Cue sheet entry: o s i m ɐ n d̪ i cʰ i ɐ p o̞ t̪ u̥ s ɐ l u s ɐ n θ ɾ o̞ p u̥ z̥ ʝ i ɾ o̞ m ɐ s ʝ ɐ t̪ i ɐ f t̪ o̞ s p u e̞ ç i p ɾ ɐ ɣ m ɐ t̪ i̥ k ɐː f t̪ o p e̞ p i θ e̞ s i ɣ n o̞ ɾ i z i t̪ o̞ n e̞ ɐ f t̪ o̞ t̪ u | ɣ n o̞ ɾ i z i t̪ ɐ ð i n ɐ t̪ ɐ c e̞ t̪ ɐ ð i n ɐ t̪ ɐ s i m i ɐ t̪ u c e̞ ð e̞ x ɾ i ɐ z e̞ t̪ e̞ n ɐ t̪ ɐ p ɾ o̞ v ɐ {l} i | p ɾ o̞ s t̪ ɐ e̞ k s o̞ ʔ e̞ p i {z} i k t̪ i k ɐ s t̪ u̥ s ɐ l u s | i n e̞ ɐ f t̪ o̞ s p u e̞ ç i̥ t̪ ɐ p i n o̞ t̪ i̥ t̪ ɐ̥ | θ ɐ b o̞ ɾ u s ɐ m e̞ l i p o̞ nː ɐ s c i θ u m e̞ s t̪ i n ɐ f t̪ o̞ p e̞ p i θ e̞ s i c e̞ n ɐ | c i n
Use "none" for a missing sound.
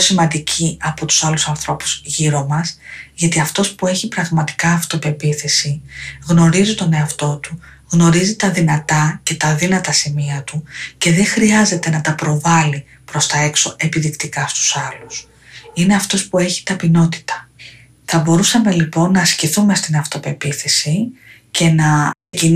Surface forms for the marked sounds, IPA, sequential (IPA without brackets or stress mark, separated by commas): l, ð